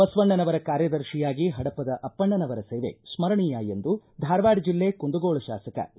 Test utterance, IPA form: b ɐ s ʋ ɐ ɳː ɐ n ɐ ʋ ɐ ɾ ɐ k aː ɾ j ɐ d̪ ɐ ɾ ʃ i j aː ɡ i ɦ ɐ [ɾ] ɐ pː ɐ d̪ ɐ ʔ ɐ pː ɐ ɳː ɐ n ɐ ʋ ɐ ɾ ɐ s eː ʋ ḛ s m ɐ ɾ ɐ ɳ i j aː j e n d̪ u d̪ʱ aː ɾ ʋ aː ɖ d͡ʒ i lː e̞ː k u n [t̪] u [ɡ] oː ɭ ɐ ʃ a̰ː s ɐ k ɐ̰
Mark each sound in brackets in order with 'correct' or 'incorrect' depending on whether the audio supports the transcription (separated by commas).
incorrect, incorrect, correct